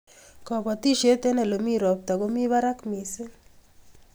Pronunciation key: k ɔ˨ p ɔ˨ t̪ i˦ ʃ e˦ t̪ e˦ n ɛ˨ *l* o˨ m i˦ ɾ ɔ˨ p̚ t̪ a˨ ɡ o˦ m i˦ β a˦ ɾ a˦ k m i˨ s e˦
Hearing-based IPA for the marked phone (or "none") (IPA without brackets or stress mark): l